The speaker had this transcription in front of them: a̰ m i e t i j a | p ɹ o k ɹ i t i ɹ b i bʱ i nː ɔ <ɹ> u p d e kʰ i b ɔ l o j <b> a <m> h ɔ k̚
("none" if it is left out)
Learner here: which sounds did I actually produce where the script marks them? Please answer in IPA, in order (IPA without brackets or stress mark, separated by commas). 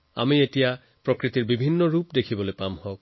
ɹ, p, m